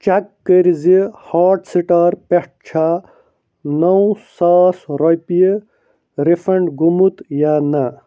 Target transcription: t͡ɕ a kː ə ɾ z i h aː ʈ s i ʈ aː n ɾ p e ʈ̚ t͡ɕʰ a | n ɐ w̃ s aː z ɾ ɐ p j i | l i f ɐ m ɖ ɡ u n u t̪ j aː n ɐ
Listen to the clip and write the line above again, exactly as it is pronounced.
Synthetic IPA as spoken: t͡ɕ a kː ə ɾ z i h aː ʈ s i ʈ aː ɾ p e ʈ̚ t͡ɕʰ a | n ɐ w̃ s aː s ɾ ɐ p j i | ɾ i f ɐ ɳ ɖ ɡ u m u t̪ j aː n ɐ